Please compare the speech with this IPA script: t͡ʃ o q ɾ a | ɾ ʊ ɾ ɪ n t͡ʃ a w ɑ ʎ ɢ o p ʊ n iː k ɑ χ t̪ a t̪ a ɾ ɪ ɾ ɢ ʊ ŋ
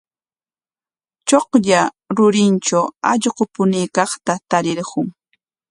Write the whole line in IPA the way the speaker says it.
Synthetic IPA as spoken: t͡ʃ o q ʎ a | ɾ ʊ ɾ ɪ n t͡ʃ a w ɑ ʎ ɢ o p ʊ n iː k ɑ χ t̪ a t̪ a ɾ ɪ ɾ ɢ ʊ ŋ